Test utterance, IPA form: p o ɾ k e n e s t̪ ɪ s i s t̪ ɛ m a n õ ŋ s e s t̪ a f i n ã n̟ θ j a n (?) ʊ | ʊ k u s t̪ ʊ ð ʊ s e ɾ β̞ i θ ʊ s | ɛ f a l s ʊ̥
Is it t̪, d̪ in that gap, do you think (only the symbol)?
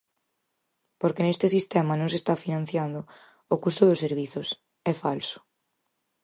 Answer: d̪